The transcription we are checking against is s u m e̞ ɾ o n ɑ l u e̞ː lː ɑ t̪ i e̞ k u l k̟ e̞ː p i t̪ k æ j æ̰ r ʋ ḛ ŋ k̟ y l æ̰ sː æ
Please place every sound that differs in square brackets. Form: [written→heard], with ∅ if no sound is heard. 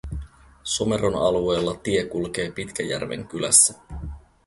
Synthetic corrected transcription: s [u→o] m e̞ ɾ o n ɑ l u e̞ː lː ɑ t̪ i e̞ k u l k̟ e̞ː p i t̪ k æ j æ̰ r ʋ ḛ ŋ k̟ y l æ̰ sː æ